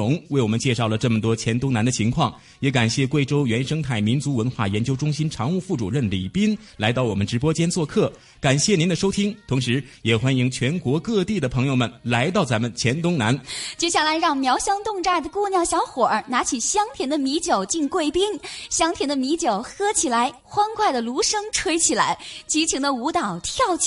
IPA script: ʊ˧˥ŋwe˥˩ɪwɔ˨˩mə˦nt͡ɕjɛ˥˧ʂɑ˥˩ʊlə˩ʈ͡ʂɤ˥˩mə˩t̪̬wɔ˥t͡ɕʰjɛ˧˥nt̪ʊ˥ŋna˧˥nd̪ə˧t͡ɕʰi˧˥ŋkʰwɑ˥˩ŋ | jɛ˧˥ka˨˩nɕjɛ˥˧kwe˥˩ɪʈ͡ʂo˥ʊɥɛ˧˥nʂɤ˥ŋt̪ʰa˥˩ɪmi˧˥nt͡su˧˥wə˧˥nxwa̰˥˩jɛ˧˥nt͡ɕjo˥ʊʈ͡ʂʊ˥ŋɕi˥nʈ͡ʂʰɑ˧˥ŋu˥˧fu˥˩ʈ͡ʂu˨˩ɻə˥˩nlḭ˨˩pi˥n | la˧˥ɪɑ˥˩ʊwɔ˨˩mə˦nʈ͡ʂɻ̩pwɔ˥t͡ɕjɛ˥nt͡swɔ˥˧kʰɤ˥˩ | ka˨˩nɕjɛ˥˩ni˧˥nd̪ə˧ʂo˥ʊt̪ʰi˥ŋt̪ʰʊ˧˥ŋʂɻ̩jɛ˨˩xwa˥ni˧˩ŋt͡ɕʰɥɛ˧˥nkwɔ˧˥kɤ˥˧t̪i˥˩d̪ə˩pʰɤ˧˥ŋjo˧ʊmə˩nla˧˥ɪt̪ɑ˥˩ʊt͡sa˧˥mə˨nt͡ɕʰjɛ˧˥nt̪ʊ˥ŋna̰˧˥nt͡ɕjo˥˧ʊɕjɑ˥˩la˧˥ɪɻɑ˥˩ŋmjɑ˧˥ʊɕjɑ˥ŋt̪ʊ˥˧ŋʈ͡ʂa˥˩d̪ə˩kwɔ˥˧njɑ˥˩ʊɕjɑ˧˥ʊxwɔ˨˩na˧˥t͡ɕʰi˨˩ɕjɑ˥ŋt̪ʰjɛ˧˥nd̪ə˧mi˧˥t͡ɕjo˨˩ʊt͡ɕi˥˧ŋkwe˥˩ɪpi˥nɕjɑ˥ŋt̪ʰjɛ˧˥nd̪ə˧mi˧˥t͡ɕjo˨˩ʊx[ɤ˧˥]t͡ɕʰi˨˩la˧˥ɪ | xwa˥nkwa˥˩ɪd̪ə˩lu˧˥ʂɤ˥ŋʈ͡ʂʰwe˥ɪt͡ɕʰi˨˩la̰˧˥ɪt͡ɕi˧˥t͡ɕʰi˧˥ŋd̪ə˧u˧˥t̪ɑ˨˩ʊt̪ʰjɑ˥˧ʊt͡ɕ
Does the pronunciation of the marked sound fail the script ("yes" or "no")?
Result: yes